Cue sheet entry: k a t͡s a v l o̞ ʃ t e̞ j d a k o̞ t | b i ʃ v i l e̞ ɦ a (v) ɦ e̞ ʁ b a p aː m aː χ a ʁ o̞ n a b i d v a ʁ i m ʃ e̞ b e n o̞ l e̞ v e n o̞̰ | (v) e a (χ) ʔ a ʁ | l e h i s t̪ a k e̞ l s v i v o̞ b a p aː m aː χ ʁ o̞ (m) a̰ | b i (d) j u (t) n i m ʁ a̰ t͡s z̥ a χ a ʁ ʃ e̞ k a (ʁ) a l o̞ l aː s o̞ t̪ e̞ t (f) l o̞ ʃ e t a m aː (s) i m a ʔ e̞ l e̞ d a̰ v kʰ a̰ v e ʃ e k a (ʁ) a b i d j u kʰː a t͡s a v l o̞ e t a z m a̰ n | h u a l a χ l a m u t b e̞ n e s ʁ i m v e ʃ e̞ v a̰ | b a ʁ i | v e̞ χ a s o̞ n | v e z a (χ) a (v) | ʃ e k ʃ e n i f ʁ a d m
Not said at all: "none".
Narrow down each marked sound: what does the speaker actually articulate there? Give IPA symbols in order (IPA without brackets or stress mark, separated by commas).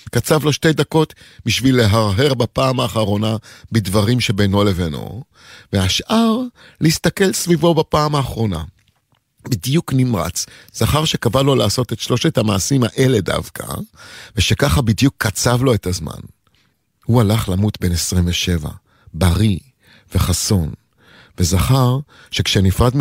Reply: ʁ, v, ʃ, n, d, k, v, ʃ, s, χ, χ, ʁ